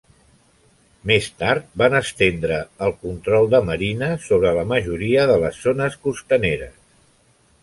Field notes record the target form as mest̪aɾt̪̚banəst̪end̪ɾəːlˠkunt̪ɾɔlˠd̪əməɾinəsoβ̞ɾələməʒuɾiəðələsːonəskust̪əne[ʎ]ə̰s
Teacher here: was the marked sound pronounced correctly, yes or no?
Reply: no